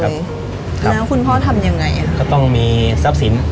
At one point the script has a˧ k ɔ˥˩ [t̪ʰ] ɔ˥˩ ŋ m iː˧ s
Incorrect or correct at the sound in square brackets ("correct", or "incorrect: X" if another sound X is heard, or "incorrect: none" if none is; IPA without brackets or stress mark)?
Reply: incorrect: t̪